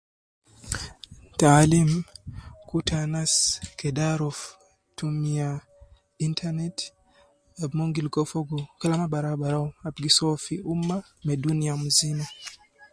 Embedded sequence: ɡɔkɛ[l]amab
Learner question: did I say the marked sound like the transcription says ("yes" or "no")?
yes